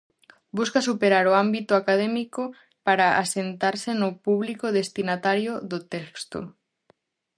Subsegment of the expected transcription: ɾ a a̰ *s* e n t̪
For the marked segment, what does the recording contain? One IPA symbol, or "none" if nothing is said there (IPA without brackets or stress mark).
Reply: s